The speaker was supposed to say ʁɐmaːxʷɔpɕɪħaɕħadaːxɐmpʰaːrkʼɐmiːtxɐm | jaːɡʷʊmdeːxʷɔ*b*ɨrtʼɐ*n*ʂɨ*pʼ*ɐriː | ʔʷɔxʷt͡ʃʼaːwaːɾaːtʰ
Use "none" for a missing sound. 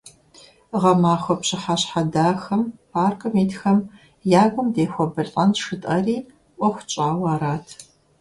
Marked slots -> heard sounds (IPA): b, n, tʼ

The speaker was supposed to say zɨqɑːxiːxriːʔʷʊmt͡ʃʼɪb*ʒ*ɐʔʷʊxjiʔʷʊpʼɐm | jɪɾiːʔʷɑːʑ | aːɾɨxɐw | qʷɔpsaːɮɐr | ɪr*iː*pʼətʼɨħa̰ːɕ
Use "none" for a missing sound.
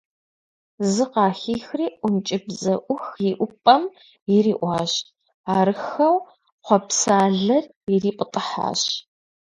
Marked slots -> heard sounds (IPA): z, iː

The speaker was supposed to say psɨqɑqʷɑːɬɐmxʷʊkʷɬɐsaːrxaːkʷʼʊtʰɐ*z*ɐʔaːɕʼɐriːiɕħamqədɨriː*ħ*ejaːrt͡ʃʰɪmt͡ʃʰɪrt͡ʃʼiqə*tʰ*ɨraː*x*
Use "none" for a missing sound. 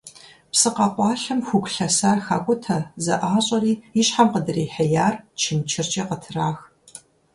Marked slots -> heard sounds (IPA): z, ħ, tʰ, x

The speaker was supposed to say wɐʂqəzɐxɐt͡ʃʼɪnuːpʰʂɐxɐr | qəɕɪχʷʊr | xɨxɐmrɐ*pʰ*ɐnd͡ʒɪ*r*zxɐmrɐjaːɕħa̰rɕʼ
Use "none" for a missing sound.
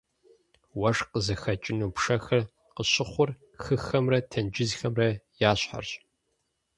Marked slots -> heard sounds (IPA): tʰ, none

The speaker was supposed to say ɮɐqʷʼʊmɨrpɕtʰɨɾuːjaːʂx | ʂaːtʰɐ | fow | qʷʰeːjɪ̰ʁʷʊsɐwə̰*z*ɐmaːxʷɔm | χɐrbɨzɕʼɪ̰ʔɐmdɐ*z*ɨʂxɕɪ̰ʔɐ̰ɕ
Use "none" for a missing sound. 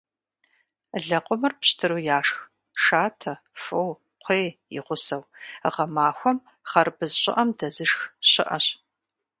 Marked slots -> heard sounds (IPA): ʁ, z

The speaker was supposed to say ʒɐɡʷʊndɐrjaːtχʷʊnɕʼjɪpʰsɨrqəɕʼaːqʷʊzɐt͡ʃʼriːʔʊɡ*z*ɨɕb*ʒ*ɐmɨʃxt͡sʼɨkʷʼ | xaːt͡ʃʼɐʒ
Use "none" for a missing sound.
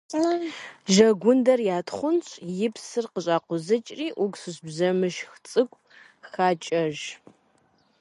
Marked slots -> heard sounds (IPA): s, z

